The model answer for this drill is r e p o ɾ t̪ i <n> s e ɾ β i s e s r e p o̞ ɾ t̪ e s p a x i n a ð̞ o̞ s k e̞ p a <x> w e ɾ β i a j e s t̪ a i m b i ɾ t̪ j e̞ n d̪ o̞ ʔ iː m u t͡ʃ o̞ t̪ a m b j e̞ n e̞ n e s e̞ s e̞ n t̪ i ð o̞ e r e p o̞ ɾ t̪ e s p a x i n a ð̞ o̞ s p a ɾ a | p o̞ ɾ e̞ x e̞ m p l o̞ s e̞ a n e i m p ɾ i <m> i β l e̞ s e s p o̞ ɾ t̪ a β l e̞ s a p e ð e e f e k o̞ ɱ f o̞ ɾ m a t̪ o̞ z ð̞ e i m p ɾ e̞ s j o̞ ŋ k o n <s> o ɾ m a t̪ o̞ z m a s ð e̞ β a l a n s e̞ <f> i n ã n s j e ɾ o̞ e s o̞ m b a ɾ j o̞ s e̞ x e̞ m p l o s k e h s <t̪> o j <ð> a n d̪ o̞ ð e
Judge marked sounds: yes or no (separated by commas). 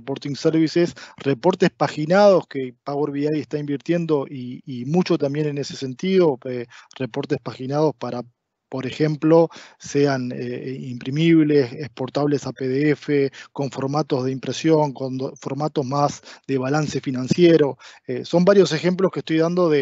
no, no, yes, no, yes, yes, yes